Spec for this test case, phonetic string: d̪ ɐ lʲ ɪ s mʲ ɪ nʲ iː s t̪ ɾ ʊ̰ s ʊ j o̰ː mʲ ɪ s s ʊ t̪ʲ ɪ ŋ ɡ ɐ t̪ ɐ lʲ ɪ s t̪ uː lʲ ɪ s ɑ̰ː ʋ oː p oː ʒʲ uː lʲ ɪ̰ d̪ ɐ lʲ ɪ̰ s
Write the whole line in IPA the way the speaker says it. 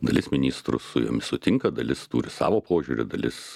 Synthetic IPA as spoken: d̪ ɐ lʲ ɪ s mʲ ɪ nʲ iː s t̪ ɾ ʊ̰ s ʊ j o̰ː mʲ ɪ s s ʊ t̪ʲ ɪ ŋ k ɐ d̪ ɐ lʲ ɪ s t̪ uː ɾʲ ɪ s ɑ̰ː ʋ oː p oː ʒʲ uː ɾʲ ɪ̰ d̪ ɐ lʲ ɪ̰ s